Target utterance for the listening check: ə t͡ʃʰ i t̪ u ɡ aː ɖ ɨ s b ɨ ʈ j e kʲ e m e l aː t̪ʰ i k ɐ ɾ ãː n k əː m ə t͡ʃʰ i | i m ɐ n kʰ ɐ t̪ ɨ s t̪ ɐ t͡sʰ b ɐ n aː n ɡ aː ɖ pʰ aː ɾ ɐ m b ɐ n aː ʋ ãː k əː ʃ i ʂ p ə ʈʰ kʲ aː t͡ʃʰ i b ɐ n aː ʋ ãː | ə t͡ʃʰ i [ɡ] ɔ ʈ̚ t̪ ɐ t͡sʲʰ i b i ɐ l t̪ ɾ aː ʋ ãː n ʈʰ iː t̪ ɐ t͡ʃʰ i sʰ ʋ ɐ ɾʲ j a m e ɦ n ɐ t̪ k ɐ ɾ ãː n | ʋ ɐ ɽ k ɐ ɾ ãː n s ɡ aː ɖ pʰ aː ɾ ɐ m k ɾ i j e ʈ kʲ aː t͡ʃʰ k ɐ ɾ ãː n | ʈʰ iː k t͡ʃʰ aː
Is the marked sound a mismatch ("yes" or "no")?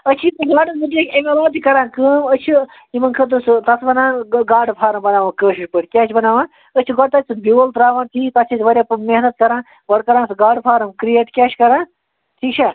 no